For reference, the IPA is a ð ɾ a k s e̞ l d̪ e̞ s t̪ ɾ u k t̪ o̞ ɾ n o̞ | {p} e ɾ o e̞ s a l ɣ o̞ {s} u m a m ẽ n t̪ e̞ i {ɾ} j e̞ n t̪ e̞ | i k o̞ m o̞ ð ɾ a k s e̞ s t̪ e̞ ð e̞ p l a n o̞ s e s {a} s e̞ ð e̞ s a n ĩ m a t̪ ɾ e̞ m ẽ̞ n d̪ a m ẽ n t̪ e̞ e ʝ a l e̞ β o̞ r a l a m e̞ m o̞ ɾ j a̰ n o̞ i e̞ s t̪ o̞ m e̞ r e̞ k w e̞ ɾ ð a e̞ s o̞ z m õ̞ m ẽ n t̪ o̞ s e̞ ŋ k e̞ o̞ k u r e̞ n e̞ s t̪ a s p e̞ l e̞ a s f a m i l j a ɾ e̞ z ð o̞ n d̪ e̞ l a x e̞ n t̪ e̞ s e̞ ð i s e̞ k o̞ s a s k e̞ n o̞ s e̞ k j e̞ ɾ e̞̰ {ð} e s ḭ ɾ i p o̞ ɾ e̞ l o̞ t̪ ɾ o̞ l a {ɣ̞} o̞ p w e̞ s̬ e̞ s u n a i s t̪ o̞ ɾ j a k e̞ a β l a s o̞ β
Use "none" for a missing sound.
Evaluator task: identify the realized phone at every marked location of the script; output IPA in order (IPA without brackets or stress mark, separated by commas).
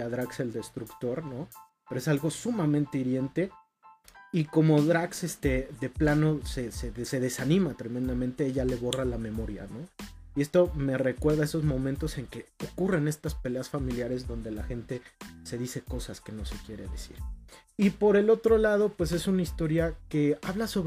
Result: p, s, ɾ, e, ð, ð̞